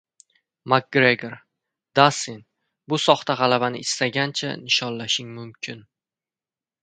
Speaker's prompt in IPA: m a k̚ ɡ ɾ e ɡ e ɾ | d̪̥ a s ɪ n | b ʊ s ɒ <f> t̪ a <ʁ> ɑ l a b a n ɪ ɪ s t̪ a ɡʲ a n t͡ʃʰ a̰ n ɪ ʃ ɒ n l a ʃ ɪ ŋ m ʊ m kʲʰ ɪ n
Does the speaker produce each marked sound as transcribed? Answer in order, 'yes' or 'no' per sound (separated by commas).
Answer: no, yes